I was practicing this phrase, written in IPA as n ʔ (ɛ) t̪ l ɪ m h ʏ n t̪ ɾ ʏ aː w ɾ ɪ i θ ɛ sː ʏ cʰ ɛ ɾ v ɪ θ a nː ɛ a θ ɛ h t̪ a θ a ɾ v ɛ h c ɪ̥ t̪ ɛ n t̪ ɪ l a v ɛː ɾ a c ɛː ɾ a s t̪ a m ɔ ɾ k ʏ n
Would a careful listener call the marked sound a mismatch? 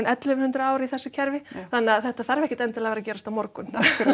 no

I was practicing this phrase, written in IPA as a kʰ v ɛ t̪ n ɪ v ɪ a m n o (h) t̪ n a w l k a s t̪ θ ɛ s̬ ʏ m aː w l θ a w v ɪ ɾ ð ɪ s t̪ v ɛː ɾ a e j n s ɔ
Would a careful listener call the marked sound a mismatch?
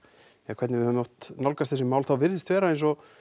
no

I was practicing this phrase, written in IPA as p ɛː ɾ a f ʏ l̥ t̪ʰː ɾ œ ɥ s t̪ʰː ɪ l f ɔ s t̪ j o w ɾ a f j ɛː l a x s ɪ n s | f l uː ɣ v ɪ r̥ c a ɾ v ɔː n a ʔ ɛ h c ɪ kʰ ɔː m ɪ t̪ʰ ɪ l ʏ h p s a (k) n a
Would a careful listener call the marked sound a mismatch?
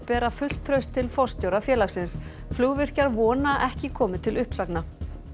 no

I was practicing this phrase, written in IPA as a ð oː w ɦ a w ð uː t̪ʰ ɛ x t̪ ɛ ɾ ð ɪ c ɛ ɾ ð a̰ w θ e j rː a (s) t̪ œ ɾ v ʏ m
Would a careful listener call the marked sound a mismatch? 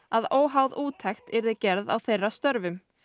no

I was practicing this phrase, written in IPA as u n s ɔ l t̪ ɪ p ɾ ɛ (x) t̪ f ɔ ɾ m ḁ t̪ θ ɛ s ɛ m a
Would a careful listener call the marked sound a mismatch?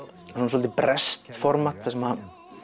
yes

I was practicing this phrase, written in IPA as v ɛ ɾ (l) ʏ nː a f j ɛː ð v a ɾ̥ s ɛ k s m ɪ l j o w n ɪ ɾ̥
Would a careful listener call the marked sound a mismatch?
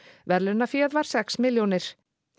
no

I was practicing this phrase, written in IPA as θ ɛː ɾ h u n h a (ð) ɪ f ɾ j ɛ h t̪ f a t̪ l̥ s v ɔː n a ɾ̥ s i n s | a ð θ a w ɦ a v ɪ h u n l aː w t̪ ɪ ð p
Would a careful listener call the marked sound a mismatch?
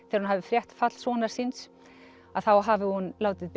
yes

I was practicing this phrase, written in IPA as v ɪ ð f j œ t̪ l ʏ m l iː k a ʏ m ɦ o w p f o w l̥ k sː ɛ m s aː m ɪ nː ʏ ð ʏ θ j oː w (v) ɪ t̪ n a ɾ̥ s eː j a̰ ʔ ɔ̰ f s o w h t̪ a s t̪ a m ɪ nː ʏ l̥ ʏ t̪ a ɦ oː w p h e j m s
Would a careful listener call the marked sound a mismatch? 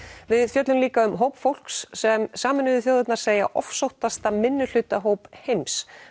yes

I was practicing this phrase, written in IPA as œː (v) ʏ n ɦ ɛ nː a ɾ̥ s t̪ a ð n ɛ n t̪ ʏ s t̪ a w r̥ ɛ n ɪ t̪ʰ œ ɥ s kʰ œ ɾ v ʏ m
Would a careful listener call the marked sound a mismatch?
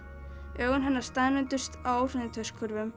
yes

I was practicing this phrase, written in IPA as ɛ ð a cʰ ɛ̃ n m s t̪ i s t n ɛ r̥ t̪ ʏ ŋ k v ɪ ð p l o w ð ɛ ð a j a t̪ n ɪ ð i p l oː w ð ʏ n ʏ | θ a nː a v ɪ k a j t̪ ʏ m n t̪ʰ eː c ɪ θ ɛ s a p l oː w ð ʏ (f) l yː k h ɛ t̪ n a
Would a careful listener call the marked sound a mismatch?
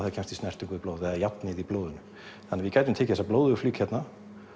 no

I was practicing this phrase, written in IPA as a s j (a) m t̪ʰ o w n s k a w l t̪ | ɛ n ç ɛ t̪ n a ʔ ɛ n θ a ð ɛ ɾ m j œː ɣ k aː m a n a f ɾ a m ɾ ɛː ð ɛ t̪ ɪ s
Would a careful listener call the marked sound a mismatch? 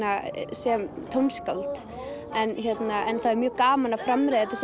yes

